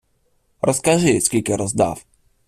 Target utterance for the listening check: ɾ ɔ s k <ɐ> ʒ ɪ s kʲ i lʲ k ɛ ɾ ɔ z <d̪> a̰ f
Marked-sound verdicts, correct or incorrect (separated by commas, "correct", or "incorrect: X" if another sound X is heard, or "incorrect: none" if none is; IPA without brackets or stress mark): incorrect: a, correct